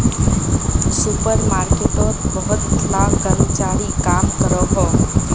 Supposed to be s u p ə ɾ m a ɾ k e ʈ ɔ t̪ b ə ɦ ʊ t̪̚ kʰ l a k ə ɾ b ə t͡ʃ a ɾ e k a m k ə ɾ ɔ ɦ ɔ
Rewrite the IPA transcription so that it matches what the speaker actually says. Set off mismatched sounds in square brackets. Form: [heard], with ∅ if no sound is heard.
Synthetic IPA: s u p ə ɾ m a ɾ k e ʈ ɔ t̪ b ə ɦ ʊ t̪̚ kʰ l a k ə ɾ [m] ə t͡ʃ a ɾ [i] k a m k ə ɾ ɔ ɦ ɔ